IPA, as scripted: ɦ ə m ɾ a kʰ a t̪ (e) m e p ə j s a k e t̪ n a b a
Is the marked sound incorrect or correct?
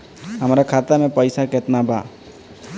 incorrect